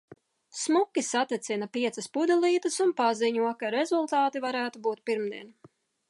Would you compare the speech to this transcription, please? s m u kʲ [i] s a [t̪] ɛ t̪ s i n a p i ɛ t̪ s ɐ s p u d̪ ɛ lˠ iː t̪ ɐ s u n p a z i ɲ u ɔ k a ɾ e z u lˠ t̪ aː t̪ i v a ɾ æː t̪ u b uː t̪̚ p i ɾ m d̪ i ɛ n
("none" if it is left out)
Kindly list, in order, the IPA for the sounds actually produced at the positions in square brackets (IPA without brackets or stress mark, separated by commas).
i, t̪